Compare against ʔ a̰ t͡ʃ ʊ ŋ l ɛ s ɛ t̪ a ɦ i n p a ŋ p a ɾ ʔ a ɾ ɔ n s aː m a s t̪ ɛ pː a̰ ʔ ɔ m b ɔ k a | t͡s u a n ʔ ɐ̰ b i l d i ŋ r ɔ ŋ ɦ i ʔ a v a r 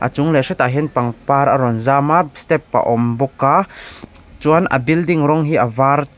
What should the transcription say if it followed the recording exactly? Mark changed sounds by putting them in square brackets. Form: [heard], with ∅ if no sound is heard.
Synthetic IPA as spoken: ʔ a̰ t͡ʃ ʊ ŋ l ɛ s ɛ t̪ a ɦ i n p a ŋ p a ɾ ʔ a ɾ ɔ n [z] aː m a s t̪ ɛ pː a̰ ʔ ɔ m b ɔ k a | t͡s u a n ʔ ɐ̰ b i l d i ŋ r ɔ ŋ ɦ i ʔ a v a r